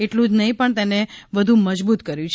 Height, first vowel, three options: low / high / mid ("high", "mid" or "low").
mid